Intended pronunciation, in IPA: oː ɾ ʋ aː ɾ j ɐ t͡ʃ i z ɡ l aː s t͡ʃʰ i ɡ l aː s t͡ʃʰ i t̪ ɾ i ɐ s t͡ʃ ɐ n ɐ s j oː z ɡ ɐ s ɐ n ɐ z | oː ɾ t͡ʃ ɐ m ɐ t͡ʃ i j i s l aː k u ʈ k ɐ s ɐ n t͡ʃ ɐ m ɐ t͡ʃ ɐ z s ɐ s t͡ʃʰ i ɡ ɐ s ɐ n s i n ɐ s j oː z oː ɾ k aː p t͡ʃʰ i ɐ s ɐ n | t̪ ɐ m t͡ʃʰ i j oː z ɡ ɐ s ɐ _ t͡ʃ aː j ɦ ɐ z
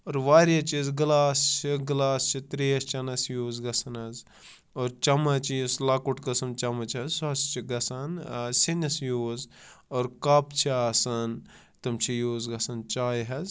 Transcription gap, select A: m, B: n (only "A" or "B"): B